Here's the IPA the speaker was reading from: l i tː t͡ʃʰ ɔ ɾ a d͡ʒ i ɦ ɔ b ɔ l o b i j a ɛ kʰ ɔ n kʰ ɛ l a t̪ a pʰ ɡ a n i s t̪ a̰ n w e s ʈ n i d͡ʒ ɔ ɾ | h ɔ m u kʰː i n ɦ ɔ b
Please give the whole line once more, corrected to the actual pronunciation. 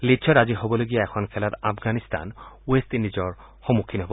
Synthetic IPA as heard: l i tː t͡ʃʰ ɔ ɾ a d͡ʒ i ɦ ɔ b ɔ l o ɡ i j a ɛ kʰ ɔ n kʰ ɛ l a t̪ a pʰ ɡ a n i s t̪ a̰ n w e s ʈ n i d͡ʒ ɔ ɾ | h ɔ m u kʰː i n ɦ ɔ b